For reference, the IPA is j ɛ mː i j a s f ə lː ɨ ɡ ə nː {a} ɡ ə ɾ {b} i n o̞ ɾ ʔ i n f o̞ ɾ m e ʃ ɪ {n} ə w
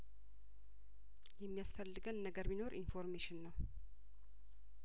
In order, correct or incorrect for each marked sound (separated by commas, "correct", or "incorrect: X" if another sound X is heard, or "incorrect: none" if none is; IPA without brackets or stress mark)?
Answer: incorrect: ə, incorrect: m, incorrect: nː